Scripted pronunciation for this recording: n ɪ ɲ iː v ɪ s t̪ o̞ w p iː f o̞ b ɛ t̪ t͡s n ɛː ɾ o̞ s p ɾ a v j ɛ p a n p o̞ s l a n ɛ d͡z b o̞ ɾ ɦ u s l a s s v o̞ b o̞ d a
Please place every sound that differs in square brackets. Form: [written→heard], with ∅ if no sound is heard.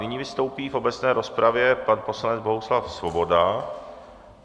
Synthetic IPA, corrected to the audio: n ɪ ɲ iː v ɪ s t̪ o̞ w p iː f o̞ b ɛ [t̪→∅] t͡s n ɛː ɾ o̞ s p ɾ a v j ɛ p a n p o̞ s l a n ɛ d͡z b o̞ [ɾ→∅] ɦ u s l a [s→f] s v o̞ b o̞ d a